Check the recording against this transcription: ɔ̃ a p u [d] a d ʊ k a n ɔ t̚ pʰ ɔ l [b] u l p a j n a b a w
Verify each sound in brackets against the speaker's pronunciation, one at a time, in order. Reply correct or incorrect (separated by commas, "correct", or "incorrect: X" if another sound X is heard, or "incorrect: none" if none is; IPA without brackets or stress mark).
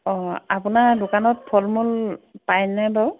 incorrect: n, incorrect: m